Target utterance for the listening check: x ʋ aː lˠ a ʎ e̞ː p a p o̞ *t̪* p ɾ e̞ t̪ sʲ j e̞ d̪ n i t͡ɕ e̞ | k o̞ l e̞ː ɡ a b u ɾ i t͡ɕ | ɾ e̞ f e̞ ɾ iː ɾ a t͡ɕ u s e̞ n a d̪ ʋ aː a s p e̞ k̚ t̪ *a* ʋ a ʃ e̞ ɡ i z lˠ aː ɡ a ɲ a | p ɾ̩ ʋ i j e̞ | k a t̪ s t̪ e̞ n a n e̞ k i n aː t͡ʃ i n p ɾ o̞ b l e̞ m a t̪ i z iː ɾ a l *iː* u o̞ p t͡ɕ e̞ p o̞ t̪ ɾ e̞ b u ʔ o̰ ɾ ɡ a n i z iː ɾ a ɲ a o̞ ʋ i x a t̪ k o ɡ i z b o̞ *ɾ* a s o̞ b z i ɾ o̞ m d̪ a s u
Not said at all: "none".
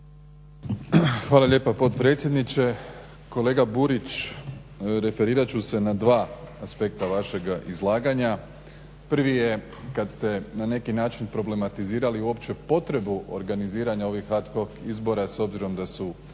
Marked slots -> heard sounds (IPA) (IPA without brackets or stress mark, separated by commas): t̪, a, i, ɾ